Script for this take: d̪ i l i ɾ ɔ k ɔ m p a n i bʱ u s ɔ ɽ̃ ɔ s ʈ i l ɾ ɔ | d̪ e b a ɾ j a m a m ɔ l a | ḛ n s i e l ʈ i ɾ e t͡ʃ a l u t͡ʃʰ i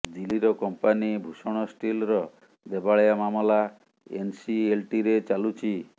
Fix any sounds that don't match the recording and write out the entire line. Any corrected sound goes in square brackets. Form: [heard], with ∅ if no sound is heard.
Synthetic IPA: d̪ i l i ɾ ɔ k ɔ m p a n i bʱ u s ɔ ɽ̃ ɔ s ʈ i l ɾ ɔ | d̪ e b a [ɭ] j a m a m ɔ l a | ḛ n s i e l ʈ i ɾ e t͡ʃ a l u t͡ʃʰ i